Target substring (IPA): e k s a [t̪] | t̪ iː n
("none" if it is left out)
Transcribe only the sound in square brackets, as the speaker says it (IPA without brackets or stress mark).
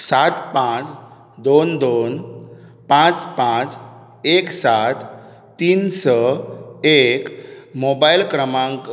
t̪